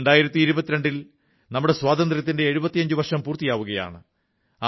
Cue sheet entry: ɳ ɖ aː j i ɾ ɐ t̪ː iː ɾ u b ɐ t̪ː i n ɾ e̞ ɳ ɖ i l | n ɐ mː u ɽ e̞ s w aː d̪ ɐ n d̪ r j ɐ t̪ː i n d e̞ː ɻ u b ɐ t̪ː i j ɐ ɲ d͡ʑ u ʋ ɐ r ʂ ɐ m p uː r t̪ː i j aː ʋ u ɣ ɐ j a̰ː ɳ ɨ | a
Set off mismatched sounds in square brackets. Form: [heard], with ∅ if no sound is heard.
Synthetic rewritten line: ɳ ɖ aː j i ɾ ɐ t̪ː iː ɾ u b ɐ t̪ː i [∅] ɾ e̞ ɳ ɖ i l | n ɐ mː u ɽ e̞ s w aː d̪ ɐ n d̪ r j ɐ t̪ː i n d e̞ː ɻ u b ɐ t̪ː i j ɐ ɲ d͡ʑ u ʋ ɐ r ʂ ɐ m p uː r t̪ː i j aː ʋ u ɣ ɐ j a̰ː ɳ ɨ | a